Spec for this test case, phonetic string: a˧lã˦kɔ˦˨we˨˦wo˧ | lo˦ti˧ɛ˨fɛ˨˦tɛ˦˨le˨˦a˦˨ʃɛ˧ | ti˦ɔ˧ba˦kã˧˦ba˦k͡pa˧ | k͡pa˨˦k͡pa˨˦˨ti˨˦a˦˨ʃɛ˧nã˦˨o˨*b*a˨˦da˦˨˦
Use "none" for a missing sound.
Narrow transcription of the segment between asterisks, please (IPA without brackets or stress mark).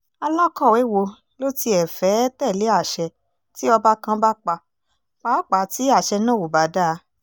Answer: b